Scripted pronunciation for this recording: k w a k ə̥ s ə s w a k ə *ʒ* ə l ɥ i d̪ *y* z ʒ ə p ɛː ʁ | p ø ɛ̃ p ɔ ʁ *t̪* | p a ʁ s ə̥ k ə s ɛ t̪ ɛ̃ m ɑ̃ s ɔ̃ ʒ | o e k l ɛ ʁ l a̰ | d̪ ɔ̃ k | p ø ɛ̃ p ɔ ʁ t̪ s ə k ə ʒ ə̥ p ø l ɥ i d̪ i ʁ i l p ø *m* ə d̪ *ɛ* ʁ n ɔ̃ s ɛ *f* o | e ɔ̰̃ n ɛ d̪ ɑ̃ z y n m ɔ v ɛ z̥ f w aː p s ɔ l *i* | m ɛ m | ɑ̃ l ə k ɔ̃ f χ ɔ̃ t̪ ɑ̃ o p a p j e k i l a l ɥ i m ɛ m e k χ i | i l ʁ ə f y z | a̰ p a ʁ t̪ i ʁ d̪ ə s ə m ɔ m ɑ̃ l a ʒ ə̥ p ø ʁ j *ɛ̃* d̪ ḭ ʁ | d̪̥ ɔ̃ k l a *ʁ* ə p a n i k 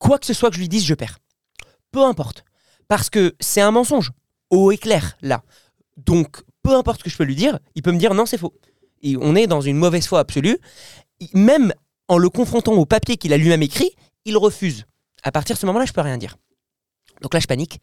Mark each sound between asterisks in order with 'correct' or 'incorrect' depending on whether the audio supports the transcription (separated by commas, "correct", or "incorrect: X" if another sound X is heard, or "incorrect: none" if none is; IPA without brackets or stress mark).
correct, incorrect: i, correct, correct, incorrect: i, correct, incorrect: y, correct, incorrect: ʒ